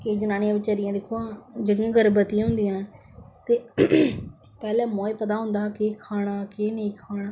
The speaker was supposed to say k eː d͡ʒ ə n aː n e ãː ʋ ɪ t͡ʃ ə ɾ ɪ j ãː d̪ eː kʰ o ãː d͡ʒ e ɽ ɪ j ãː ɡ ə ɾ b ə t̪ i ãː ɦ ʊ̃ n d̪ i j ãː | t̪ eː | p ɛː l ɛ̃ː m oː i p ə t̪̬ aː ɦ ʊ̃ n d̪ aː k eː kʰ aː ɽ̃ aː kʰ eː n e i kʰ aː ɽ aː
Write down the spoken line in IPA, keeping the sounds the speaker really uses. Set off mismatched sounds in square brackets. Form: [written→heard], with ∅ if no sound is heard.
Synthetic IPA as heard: k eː d͡ʒ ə n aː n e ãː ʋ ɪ t͡ʃ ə ɾ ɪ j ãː d̪ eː kʰ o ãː d͡ʒ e ɽ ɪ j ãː ɡ ə ɾ b ə t̪ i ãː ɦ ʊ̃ n d̪ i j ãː | t̪ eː | p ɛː l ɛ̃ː m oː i p ə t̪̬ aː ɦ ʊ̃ n d̪ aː k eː kʰ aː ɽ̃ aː [kʰ→k] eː n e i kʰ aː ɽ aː

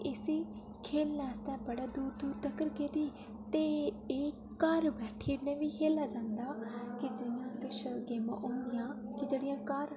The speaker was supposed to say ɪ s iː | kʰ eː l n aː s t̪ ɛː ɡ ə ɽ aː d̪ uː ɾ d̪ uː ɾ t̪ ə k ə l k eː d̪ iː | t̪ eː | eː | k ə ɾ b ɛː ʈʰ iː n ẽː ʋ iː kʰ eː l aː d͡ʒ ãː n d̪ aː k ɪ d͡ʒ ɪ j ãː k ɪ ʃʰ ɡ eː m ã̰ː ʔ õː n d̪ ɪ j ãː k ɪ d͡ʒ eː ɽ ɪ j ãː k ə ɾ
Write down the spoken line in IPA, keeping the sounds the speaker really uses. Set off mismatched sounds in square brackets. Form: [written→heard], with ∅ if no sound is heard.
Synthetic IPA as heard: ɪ s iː | kʰ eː l n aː s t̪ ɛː [ɡ→b] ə ɽ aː d̪ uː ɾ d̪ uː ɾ t̪ ə k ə [l→ɾ] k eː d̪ iː | t̪ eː | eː | k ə ɾ b ɛː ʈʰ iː n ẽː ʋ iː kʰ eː l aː d͡ʒ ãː n d̪ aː k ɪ d͡ʒ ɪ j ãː k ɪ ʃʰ ɡ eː m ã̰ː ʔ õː n d̪ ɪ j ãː k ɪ d͡ʒ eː ɽ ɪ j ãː k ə ɾ

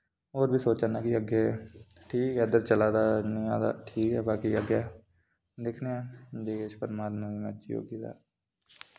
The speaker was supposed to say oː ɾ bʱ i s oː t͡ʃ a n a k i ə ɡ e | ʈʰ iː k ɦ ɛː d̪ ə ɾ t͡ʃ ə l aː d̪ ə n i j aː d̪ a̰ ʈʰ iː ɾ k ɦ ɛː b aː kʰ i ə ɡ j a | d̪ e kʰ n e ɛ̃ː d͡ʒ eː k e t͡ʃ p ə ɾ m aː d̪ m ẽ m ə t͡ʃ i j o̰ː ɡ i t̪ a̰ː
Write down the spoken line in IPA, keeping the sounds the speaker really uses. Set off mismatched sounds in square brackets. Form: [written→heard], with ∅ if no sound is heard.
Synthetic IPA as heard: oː ɾ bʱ i s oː t͡ʃ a n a k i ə ɡ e | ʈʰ iː k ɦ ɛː d̪ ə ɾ t͡ʃ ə l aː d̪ [ə→a] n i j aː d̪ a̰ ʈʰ iː [ɾ→∅] k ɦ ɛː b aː [kʰ→k] i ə ɡ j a | d̪ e kʰ n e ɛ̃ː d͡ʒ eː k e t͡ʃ p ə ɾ m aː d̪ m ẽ m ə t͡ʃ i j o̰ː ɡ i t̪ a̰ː

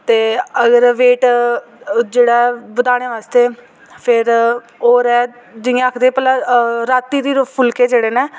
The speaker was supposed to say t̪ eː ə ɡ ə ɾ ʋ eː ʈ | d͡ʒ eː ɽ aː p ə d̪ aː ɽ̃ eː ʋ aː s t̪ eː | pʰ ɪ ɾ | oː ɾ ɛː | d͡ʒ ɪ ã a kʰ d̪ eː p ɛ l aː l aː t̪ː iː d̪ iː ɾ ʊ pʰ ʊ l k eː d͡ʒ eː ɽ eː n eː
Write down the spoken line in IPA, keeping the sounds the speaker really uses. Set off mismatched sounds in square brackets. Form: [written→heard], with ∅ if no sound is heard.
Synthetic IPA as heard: t̪ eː ə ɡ ə ɾ ʋ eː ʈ | d͡ʒ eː ɽ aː [p→b] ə d̪ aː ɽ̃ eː ʋ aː s t̪ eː | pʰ ɪ ɾ | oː ɾ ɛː | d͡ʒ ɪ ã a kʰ d̪ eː p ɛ l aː [l→ɾ] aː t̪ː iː d̪ iː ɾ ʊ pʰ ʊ l k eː d͡ʒ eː ɽ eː n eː

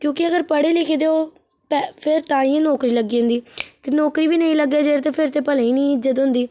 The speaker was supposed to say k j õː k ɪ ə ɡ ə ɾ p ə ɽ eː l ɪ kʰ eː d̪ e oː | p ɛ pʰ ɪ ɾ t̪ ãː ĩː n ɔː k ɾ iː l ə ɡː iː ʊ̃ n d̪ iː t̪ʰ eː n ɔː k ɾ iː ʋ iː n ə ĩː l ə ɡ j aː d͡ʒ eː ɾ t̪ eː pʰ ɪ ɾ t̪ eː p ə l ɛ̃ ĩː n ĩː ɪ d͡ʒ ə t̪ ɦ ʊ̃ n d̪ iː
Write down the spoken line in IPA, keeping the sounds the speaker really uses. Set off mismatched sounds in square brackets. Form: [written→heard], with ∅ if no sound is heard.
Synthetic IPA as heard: k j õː k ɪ ə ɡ ə ɾ p ə ɽ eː l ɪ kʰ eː d̪ e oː | p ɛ pʰ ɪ ɾ t̪ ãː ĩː n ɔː k ɾ iː l ə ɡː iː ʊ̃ n d̪ iː [t̪ʰ→t̪] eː n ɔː k ɾ iː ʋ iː n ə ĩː l ə ɡ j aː d͡ʒ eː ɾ t̪ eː pʰ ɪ ɾ t̪ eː p ə l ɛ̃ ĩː n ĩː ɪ d͡ʒ ə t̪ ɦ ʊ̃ n d̪ iː

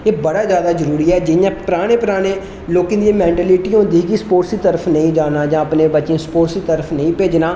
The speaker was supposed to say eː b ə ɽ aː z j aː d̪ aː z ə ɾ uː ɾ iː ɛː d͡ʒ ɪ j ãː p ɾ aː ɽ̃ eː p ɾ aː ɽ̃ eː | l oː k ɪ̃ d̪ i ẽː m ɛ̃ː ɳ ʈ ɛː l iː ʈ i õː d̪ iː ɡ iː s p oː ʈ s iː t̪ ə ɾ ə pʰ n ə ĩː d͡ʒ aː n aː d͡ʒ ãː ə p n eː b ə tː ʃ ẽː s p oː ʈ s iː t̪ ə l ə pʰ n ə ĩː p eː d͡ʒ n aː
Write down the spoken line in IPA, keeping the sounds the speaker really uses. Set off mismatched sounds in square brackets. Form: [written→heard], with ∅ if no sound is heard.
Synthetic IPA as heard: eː b ə ɽ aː z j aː d̪ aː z ə ɾ uː ɾ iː ɛː d͡ʒ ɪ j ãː p ɾ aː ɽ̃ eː p ɾ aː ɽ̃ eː | l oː k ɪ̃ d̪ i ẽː m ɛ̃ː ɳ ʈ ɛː l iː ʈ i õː d̪ iː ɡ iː s p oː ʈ s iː t̪ ə ɾ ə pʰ n ə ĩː d͡ʒ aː n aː d͡ʒ ãː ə p n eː b ə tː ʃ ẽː s p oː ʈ s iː t̪ ə [l→ɾ] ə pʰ n ə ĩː p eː d͡ʒ n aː

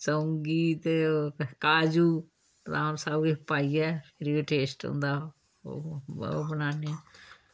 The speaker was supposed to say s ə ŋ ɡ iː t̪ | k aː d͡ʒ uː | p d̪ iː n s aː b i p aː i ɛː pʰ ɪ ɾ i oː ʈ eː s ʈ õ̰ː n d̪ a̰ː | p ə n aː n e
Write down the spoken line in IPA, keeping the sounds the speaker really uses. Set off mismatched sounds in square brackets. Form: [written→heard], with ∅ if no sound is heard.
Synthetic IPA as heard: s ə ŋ ɡ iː t̪ | k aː d͡ʒ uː | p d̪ [iː→aː] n s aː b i p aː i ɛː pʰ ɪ ɾ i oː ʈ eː s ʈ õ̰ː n d̪ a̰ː | [p→b] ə n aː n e

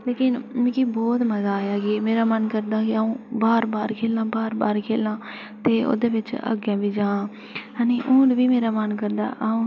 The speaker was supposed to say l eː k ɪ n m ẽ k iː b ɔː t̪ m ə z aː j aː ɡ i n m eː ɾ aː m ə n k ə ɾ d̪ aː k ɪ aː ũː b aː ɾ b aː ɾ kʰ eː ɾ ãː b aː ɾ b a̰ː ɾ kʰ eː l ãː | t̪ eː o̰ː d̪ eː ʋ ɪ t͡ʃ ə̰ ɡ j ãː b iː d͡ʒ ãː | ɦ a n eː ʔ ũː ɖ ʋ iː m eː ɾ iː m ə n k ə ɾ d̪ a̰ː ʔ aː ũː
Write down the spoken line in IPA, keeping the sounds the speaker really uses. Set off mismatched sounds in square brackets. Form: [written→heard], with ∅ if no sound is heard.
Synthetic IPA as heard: l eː k ɪ n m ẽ k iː b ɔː t̪ m ə z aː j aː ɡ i [n→∅] m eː ɾ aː m ə n k ə ɾ d̪ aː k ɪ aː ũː b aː ɾ b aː ɾ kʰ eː [ɾ→l] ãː b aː ɾ b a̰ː ɾ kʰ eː l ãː | t̪ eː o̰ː d̪ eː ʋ ɪ t͡ʃ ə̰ ɡ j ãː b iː d͡ʒ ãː | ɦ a n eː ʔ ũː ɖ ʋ iː m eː ɾ [iː→aː] m ə n k ə ɾ d̪ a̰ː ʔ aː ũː

